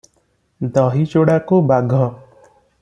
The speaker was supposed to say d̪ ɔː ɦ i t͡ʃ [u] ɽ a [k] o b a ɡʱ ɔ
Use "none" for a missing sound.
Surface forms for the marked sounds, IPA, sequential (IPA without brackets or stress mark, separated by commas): o, k